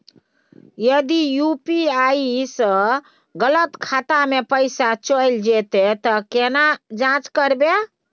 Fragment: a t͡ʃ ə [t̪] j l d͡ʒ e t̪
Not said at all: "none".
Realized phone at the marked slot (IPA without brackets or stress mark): none